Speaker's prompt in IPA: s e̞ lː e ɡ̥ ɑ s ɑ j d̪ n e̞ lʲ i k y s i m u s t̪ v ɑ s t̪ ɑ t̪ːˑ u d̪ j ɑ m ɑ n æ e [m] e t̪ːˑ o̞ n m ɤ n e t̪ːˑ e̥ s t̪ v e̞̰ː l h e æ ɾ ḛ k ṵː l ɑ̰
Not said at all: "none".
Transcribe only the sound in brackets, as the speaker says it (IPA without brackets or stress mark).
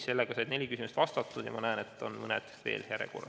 n